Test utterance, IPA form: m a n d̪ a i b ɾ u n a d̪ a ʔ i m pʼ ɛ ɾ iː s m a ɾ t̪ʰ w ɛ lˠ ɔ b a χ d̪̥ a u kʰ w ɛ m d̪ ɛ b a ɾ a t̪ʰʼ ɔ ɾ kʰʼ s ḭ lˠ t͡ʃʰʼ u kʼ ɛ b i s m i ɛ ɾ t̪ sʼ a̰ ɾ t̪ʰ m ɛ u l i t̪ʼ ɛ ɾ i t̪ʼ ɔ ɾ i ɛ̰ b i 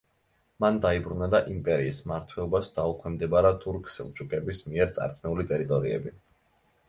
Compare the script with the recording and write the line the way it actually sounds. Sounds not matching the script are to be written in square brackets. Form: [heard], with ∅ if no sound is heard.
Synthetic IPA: m a n d̪ a i b ɾ u n a d̪ a ʔ i m pʼ ɛ ɾ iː s m a ɾ t̪ʰ w ɛ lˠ ɔ b a [s] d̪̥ a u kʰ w ɛ m d̪ ɛ b a ɾ a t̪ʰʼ [u] ɾ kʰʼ s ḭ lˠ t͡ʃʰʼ u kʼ ɛ b i s m i ɛ ɾ t̪ sʼ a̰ ɾ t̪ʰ m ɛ u l i t̪ʼ ɛ ɾ i t̪ʼ ɔ ɾ i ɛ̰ b i